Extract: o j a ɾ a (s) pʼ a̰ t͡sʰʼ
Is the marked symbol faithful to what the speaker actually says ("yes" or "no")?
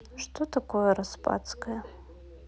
yes